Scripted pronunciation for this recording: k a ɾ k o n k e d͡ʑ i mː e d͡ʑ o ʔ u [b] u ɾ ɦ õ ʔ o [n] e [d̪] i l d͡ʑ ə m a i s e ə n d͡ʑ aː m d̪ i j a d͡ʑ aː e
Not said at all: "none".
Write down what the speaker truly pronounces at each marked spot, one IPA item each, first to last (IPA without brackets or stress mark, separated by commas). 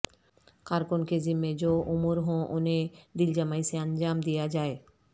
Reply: m, n, d̪